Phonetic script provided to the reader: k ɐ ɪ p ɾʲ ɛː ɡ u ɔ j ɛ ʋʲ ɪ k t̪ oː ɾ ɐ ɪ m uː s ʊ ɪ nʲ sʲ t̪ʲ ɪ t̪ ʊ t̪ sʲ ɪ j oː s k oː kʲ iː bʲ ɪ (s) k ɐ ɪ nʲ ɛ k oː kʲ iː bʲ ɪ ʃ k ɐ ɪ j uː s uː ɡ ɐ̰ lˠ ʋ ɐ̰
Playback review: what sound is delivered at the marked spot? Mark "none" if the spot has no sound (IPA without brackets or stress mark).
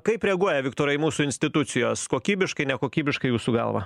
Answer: ʃ